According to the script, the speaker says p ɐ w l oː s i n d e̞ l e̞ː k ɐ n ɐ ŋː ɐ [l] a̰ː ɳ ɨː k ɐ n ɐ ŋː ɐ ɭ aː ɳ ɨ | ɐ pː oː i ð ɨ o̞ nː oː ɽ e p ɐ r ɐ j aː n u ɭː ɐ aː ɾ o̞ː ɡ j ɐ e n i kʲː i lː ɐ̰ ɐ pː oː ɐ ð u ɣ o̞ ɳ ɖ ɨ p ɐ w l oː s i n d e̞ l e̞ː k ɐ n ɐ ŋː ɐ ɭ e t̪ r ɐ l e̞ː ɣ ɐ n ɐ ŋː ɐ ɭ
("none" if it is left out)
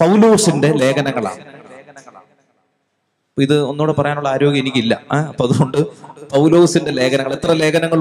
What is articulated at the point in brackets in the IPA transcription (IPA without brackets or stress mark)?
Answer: ɭ